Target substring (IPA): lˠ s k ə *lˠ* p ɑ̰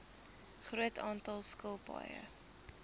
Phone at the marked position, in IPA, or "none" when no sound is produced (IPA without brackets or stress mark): lˠ